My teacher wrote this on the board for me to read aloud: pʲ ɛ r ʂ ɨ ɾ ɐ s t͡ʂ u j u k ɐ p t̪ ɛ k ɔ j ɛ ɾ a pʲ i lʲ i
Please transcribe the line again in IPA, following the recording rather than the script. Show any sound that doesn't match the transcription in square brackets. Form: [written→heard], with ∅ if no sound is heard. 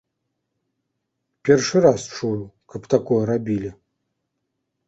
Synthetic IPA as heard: pʲ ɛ r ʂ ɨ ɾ [ɐ→a] s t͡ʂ u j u k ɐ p t̪ [ɛ→a] k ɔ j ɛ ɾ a [pʲ→bʲ] i lʲ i